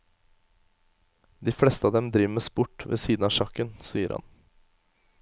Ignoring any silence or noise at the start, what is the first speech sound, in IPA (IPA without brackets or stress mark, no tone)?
d̪